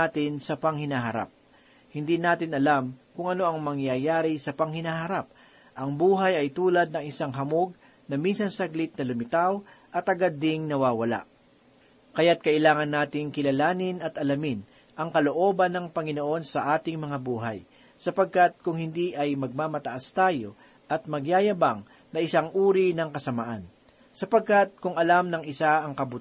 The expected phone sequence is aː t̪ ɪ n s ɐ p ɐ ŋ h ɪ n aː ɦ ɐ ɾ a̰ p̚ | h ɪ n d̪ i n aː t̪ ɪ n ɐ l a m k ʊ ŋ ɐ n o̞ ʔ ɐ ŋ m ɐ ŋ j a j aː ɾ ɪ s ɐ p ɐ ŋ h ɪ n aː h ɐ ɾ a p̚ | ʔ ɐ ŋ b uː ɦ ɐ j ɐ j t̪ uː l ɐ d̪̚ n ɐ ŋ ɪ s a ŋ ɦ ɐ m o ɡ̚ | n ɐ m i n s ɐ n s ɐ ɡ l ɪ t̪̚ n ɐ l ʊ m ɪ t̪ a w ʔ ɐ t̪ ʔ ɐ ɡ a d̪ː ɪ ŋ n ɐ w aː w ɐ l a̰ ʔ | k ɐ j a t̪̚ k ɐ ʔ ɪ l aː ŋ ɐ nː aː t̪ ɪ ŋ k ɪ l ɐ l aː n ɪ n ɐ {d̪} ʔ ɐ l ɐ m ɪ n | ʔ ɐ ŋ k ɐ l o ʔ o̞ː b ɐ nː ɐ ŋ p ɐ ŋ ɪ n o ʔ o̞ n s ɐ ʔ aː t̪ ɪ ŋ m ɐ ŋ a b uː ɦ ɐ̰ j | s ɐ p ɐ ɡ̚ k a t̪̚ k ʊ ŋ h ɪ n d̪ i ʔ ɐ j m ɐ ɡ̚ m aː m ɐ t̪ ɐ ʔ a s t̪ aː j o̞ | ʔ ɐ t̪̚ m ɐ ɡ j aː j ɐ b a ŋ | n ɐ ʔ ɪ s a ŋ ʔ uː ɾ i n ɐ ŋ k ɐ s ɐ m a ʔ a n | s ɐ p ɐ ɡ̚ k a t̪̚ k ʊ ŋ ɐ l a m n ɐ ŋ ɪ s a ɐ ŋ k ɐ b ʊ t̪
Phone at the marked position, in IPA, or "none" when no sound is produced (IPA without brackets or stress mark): t̪